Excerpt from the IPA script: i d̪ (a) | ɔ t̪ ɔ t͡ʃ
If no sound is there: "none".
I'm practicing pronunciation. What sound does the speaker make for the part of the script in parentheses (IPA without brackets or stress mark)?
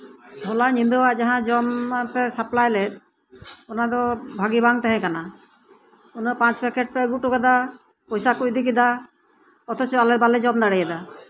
a